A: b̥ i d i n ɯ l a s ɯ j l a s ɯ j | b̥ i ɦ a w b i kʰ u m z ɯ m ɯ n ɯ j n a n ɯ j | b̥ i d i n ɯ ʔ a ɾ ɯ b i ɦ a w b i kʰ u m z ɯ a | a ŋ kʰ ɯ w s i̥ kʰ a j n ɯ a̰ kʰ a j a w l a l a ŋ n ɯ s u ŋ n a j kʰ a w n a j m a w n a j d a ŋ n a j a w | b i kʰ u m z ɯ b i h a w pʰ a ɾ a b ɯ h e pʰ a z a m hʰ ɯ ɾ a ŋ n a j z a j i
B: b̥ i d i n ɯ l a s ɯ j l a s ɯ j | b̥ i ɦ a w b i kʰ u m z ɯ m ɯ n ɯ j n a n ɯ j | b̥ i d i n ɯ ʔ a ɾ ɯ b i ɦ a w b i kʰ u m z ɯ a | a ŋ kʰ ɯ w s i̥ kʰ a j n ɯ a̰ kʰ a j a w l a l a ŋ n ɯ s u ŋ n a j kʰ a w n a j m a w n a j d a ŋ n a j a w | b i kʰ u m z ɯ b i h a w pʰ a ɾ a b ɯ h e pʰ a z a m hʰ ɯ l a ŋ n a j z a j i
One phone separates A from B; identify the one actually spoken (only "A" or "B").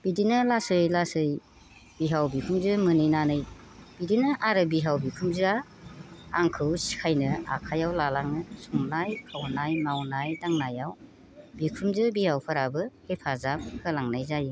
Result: B